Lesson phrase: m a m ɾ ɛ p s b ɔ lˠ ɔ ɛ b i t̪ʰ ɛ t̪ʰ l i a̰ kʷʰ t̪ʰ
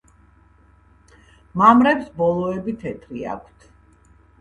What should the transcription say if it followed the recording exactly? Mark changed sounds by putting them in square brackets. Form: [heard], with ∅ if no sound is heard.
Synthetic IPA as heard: m a m ɾ ɛ p s b ɔ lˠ ɔ ɛ b i t̪ʰ ɛ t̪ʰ [ɾ] i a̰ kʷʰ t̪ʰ